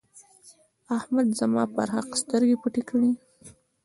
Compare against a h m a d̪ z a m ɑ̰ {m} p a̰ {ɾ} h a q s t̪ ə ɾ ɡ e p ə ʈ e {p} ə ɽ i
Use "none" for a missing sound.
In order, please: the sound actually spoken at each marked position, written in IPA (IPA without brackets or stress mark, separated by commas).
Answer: none, ɾ, k